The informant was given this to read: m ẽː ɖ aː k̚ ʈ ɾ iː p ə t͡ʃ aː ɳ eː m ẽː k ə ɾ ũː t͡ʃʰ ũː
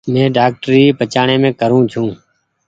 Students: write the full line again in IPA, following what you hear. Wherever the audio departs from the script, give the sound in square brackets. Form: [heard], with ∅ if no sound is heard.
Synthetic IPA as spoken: m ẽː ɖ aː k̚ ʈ ɾ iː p ə t͡ʃ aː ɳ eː m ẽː k ə ɾ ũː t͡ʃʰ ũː